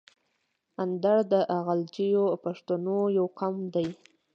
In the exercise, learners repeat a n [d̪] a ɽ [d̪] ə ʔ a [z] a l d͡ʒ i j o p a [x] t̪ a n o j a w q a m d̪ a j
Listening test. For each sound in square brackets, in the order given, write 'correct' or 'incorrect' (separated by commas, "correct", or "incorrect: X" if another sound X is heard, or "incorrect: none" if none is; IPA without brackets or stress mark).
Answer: correct, correct, incorrect: ɣ, incorrect: ʂ